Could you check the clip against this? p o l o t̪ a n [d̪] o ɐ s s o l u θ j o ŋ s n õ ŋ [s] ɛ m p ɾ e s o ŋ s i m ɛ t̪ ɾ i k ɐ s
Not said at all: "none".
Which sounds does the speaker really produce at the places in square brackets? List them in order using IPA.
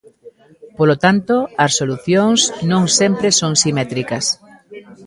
t̪, s

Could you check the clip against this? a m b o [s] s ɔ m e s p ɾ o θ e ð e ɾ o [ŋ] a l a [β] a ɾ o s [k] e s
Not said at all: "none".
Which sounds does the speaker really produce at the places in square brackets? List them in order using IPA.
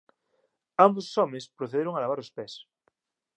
s, ŋ, β, p

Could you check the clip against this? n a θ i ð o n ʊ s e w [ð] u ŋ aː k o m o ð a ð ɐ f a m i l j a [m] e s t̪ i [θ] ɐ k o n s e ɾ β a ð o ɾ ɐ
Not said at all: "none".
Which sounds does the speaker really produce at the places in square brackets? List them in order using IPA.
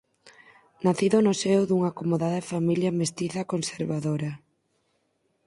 ð, m, θ

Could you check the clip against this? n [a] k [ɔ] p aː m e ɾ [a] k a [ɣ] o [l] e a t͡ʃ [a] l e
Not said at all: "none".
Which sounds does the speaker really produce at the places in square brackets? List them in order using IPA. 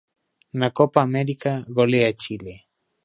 a, o, i, ɣ, l, i

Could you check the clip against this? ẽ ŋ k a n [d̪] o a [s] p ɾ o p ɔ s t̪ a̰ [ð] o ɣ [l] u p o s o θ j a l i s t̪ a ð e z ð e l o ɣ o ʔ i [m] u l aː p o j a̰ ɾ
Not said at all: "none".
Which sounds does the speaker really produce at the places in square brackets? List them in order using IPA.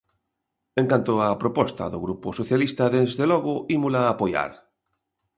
t̪, none, ð, ɾ, m

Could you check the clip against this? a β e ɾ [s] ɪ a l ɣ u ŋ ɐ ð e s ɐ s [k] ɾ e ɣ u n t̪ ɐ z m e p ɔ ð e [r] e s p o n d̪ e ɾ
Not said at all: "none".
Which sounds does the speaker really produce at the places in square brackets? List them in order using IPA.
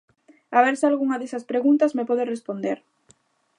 s, p, r

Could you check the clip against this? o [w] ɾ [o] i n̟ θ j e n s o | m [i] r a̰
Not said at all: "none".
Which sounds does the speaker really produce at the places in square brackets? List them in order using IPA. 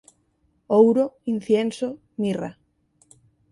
w, o, i

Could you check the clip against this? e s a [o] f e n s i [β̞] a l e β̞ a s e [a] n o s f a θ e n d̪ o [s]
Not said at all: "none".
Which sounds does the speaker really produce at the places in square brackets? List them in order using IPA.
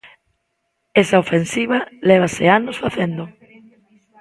o, β̞, a, none

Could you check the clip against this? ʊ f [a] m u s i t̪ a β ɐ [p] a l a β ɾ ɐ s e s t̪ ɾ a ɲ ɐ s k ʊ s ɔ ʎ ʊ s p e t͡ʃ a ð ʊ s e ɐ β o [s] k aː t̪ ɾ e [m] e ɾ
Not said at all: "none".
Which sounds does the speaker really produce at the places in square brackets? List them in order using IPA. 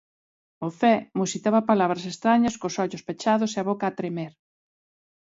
ɛ, p, none, m

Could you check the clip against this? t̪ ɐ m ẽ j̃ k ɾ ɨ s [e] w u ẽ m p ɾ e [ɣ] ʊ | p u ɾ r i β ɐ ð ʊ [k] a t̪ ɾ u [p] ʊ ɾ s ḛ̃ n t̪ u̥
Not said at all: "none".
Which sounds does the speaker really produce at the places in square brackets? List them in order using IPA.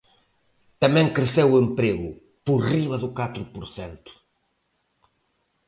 e, ɣ, k, p

